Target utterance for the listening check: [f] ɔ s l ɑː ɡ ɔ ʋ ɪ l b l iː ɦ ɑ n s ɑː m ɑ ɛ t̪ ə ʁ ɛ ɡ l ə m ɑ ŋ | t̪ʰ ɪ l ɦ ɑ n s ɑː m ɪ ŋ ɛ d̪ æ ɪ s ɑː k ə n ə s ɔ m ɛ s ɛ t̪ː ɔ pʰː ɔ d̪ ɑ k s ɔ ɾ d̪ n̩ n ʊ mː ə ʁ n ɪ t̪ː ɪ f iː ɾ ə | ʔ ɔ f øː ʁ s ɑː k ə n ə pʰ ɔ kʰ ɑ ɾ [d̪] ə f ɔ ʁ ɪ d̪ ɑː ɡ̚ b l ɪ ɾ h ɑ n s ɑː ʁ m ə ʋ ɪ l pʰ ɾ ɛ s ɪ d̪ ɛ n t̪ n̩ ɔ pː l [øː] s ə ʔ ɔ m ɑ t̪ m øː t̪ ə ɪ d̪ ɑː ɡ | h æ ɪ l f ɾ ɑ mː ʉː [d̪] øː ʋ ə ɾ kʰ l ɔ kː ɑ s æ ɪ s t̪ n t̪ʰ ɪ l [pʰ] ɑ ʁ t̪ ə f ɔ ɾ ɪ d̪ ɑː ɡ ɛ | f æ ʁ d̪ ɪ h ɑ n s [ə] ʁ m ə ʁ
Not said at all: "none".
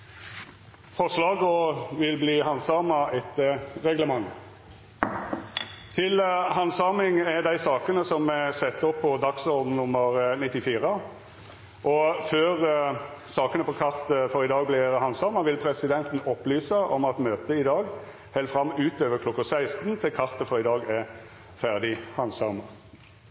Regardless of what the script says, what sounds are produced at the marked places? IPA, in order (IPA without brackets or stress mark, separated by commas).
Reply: f, t̪, yː, t̪, kʰ, ɑ